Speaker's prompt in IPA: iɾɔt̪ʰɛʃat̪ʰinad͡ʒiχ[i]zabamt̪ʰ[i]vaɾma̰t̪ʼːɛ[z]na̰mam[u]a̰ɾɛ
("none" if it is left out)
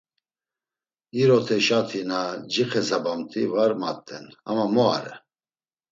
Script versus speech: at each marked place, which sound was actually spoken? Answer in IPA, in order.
ɛ, i, none, ɔ

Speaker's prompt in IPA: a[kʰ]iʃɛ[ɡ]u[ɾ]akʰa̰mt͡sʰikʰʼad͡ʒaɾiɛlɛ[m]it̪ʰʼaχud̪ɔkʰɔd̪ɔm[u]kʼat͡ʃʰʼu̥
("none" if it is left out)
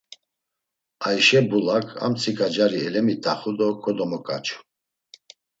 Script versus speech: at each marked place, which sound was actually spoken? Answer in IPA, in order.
none, b, l, m, ɔ

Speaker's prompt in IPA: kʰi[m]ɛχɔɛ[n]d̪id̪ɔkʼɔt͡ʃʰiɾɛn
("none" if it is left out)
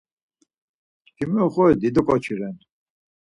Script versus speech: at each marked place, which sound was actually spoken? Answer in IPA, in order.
m, none

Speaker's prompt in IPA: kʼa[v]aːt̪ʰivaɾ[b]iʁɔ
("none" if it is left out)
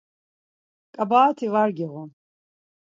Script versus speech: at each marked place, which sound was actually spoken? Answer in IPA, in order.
b, ɡ

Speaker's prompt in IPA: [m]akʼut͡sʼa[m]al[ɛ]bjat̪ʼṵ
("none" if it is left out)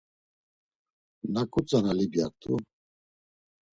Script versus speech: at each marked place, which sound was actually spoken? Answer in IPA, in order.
n, n, i

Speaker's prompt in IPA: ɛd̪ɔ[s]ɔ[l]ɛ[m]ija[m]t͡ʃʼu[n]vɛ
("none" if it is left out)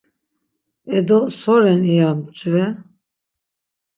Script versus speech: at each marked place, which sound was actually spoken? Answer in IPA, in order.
s, ɾ, n, m, none

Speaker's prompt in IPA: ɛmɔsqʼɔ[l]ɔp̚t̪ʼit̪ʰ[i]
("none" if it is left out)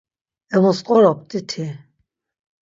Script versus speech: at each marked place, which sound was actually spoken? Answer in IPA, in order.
ɾ, i

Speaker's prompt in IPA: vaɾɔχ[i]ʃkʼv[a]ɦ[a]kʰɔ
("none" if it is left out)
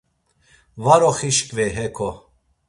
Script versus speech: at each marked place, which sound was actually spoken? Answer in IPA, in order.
i, ɛ, ɛ

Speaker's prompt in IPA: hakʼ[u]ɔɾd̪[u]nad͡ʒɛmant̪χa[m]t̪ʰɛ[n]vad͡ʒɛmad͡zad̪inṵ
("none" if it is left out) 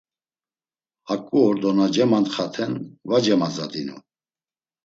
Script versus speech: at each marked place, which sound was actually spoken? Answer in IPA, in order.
u, ɔ, none, n

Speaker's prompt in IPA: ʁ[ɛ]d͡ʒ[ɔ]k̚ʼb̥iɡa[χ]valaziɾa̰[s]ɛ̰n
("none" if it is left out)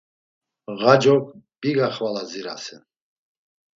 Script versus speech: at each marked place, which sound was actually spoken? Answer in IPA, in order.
a, ɔ, χ, s

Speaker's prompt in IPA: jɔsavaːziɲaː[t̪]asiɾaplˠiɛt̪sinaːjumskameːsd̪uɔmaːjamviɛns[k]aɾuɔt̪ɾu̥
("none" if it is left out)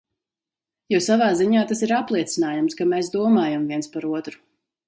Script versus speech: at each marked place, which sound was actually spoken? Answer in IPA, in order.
t̪, p

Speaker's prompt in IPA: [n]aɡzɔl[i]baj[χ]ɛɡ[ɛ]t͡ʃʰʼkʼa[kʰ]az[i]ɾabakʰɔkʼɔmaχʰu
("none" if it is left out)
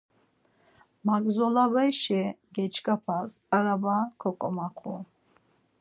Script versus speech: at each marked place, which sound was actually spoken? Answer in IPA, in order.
m, a, ʃ, ɛ, pʰ, a

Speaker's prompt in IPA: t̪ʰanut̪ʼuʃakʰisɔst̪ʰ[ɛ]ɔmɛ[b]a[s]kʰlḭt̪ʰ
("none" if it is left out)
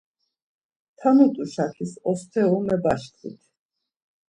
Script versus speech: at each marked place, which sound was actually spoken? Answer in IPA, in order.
ɛ, b, ʃ

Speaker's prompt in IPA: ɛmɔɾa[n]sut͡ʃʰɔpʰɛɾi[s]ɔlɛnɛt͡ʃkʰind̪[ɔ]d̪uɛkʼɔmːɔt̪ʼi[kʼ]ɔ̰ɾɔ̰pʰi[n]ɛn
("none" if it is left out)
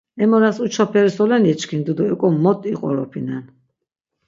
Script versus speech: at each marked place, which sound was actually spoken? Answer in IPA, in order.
none, s, u, qʼ, n

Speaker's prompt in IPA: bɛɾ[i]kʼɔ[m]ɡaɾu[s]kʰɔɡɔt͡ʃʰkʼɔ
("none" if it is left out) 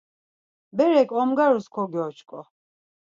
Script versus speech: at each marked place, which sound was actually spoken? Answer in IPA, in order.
ɛ, m, s

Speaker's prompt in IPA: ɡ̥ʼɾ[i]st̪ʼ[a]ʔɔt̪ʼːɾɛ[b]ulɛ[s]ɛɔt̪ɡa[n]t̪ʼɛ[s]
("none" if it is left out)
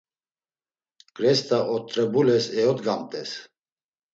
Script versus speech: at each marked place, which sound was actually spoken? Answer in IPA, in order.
ɛ, a, b, s, m, s

